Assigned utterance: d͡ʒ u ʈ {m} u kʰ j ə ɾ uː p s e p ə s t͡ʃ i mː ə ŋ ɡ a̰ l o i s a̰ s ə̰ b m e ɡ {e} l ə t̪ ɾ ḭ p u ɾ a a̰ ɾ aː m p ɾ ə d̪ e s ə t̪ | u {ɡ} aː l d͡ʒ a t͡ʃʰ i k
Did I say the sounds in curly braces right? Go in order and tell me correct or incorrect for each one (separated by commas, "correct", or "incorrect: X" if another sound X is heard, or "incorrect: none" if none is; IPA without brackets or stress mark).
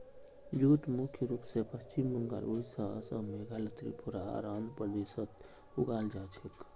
correct, incorrect: a, correct